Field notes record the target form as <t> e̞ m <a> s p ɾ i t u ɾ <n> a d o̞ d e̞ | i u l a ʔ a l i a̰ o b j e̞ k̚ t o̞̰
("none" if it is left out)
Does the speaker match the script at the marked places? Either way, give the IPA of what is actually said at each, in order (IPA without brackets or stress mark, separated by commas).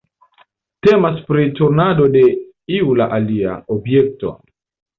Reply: t, a, n